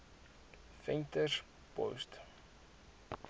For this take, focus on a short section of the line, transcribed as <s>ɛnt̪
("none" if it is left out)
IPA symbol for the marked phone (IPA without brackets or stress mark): f